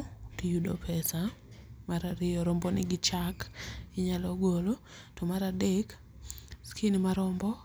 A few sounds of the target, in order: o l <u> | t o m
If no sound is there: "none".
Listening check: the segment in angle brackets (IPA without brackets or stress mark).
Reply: o